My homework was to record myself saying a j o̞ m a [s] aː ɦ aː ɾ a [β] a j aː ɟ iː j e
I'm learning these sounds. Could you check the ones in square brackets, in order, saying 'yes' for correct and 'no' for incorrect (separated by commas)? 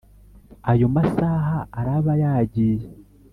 yes, yes